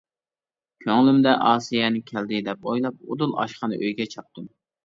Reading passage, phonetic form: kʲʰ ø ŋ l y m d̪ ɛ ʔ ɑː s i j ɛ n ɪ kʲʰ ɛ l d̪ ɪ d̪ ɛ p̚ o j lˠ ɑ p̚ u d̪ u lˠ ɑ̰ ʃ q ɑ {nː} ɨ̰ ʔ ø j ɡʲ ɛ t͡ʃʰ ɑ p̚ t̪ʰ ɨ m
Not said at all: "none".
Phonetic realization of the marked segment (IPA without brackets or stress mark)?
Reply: n